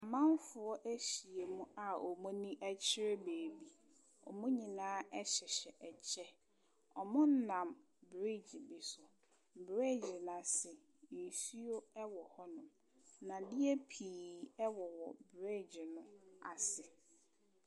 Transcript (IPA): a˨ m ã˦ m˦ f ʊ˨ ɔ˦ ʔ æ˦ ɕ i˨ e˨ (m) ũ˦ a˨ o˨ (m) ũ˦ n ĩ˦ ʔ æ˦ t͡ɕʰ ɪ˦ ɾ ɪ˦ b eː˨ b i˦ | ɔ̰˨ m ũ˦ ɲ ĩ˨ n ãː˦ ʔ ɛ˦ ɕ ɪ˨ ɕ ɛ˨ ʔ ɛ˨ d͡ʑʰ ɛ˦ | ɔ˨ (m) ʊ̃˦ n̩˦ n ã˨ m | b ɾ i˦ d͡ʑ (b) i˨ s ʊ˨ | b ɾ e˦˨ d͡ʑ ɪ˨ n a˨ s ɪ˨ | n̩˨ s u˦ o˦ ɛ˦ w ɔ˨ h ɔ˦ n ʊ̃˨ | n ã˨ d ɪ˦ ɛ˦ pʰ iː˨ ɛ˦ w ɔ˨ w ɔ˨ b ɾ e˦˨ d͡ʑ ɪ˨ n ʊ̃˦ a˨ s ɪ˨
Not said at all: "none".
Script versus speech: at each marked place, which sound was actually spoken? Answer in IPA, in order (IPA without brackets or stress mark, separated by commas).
m, m, m, b